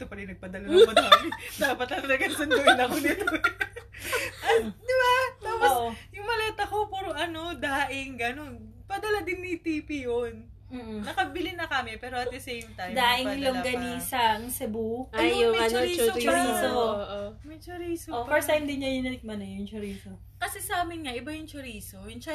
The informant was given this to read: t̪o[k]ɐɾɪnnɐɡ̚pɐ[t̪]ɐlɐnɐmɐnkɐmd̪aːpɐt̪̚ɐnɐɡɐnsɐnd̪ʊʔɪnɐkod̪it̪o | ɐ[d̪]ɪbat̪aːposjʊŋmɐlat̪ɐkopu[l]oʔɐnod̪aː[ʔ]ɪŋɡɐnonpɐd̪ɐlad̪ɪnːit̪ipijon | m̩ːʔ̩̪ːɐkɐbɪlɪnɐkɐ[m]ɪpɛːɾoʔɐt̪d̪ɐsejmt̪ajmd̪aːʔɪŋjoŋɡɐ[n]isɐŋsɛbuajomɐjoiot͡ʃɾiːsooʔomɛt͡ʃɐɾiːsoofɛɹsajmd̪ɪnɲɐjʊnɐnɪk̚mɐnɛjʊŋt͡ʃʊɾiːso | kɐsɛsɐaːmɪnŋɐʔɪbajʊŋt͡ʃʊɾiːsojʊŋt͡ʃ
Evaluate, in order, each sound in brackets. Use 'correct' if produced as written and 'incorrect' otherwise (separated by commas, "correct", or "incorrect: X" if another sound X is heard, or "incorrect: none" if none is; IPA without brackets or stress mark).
incorrect: p, incorrect: d̪, correct, incorrect: ɾ, correct, correct, correct